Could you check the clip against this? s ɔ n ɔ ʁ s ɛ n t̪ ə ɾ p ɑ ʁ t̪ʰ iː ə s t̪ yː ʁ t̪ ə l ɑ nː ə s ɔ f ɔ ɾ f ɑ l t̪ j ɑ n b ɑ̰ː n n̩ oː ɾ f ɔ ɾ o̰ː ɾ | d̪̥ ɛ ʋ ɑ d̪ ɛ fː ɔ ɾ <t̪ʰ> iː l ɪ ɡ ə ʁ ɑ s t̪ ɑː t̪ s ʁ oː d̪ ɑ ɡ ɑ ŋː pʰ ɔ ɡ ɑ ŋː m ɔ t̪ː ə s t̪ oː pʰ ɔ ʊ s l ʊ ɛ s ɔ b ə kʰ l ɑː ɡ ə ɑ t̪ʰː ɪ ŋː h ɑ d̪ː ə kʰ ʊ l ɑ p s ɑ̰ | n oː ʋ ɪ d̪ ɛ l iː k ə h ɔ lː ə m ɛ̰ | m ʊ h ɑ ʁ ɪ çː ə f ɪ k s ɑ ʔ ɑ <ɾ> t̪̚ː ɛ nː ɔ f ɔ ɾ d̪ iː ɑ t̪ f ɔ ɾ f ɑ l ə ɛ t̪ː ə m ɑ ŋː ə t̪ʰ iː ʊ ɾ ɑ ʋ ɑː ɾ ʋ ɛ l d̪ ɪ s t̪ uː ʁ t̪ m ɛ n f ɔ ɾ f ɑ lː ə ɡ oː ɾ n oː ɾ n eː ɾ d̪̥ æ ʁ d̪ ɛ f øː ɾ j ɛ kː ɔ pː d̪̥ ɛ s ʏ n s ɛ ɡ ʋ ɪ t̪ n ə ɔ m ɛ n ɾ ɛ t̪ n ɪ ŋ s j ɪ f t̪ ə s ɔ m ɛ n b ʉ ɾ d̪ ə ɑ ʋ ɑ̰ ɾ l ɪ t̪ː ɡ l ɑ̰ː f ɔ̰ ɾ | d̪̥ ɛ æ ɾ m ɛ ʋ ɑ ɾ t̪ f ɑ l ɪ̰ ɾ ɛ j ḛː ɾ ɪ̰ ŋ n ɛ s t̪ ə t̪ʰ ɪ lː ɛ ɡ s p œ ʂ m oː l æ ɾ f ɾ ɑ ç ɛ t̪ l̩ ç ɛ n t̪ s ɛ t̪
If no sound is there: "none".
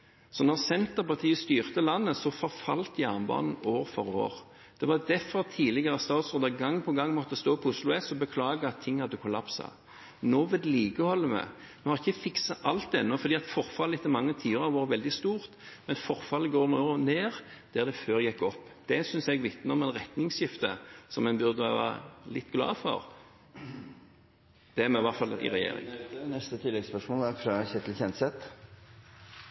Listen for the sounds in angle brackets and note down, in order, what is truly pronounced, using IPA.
t̪ʰ, l

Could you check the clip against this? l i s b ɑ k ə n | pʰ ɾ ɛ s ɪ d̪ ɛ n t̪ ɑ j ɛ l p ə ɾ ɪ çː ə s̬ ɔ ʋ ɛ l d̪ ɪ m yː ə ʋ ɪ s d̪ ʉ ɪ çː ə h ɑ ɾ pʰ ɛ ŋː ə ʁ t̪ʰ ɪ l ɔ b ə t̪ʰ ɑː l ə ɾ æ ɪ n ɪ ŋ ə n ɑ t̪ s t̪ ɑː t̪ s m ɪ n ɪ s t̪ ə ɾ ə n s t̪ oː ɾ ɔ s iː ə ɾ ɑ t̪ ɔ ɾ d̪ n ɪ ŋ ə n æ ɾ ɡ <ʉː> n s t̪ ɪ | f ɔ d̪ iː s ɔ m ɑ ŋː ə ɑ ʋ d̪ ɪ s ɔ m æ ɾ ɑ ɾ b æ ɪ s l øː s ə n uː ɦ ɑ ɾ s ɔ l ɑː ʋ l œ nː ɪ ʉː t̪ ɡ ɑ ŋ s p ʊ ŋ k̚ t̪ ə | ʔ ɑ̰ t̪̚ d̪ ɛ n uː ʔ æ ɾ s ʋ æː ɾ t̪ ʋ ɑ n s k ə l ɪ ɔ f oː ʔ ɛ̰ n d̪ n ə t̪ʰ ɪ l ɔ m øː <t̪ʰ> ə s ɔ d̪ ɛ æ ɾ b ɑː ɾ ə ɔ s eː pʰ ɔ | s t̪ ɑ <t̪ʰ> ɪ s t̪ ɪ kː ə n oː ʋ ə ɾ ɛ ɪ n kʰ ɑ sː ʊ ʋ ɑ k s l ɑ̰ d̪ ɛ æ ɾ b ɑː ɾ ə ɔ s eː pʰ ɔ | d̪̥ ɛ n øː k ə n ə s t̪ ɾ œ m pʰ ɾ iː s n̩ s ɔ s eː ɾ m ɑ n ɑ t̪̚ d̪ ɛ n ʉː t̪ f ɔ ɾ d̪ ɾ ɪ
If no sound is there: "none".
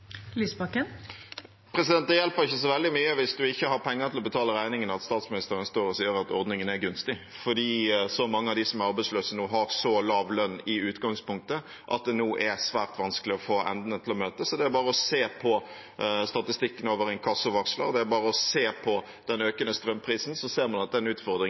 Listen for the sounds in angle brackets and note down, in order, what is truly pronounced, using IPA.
ʉ, t̪, t̪

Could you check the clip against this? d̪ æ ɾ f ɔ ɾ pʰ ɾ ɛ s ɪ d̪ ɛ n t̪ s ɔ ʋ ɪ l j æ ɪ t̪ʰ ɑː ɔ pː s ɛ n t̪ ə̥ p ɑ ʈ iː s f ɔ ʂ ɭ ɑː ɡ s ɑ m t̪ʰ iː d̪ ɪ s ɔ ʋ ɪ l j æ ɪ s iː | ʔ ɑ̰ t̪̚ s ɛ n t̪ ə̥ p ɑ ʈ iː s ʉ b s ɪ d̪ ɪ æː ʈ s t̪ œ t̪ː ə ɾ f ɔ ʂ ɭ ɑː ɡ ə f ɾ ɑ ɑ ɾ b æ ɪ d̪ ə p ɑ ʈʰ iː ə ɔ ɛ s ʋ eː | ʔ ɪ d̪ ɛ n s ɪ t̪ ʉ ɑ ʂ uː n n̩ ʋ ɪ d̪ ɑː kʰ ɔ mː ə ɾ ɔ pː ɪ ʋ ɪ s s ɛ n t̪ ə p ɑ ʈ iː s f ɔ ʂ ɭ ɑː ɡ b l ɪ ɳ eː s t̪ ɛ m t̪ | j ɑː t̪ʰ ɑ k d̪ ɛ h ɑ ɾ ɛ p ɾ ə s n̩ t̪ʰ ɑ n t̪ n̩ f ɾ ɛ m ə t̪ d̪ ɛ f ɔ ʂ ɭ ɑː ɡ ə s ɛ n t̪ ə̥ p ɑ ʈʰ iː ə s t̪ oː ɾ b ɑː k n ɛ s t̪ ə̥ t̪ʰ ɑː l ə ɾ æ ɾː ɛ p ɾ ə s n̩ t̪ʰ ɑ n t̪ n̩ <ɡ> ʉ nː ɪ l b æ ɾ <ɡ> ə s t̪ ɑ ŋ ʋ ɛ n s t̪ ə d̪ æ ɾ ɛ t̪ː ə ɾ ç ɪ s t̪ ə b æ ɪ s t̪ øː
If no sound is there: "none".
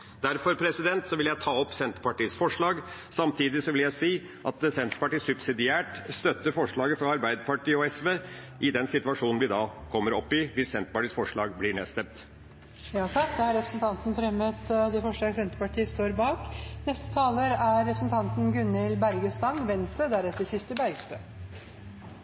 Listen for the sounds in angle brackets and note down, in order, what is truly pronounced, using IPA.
ɡ, ɡ

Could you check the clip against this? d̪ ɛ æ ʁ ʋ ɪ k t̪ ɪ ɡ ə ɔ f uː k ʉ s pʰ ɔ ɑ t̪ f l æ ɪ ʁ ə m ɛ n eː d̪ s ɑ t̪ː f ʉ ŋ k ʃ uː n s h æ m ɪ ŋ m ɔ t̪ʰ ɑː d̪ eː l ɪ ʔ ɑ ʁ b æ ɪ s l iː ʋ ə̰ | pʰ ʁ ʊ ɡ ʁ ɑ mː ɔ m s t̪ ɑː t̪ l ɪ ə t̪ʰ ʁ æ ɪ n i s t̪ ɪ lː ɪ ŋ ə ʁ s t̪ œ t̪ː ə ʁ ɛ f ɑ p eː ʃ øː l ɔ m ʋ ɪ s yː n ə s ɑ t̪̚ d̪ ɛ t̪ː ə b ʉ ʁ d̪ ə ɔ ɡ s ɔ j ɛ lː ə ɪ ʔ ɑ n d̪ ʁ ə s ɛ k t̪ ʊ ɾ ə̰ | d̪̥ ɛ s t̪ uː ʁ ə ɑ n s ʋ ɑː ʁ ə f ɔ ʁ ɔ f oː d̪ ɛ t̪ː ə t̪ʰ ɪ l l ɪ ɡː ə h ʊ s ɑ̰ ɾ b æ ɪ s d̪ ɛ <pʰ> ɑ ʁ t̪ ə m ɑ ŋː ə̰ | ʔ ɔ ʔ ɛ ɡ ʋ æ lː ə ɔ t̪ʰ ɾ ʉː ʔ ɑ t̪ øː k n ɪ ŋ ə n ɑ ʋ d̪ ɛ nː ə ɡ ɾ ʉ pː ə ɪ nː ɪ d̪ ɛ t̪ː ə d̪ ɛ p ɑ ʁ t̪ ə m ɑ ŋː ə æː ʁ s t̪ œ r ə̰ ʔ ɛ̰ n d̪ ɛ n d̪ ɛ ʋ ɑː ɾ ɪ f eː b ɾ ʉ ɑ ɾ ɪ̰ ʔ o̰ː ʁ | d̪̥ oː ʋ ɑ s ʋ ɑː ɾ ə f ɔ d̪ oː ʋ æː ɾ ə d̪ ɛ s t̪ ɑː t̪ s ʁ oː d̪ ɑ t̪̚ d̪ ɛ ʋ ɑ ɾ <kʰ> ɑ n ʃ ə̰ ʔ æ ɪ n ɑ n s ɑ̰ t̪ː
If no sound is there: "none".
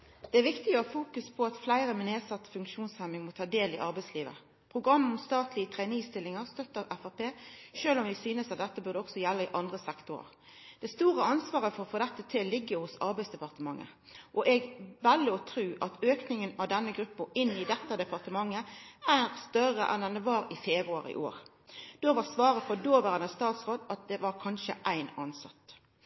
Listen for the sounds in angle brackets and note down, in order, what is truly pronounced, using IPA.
p, kʰ

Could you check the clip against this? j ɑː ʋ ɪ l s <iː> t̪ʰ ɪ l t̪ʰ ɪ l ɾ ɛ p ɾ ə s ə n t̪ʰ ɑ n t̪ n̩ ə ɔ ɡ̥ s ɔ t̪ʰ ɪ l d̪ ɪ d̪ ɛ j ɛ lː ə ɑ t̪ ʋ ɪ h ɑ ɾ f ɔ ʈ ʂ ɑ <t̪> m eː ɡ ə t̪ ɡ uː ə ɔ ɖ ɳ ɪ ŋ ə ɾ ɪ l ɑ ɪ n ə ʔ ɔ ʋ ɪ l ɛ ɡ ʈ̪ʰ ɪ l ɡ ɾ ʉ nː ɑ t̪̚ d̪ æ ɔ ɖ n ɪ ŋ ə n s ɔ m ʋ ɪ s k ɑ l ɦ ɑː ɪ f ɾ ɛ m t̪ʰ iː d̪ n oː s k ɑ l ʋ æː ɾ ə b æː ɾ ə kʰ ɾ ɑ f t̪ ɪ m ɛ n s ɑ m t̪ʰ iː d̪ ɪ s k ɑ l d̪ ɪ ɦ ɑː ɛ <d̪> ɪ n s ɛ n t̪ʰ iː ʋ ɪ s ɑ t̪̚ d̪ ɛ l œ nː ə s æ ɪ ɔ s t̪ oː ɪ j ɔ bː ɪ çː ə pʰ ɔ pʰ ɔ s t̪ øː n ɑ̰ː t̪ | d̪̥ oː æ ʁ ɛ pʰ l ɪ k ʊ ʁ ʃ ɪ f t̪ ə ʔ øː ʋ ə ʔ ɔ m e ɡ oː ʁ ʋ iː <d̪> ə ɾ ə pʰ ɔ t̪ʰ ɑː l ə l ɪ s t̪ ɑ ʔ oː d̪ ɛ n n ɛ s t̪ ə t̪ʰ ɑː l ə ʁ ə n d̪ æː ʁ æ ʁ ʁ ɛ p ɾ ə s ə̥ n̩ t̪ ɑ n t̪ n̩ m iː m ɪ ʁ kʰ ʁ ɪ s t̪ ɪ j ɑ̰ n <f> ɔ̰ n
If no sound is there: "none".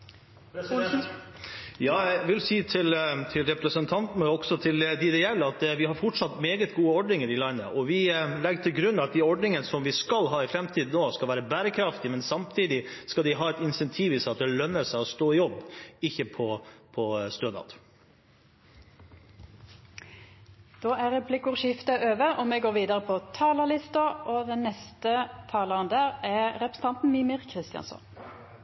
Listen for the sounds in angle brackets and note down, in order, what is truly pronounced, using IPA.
iː, t̪, t̪, d̪, s

